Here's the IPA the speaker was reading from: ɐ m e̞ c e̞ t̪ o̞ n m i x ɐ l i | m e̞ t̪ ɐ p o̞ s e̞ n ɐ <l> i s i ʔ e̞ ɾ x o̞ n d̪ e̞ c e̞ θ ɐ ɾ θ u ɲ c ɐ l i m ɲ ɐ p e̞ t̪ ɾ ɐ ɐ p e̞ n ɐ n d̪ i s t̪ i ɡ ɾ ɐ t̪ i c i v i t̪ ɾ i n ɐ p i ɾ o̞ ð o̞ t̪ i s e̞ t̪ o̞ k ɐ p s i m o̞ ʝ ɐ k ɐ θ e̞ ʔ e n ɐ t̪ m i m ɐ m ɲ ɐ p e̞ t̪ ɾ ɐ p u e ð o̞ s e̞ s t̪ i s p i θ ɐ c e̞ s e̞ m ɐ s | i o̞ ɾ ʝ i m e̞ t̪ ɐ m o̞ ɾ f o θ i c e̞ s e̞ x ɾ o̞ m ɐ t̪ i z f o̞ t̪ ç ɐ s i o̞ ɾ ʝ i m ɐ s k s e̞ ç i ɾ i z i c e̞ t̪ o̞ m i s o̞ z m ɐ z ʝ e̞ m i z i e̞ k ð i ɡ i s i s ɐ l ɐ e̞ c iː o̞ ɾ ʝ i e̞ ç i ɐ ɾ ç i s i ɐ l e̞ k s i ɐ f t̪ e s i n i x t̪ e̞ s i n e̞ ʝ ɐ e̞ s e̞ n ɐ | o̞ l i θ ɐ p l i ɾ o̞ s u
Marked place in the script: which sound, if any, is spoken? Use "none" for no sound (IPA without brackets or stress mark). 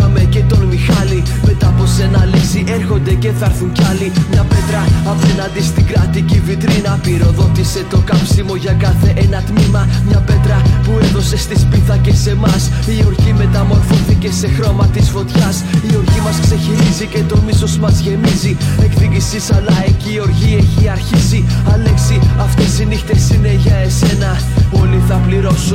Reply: l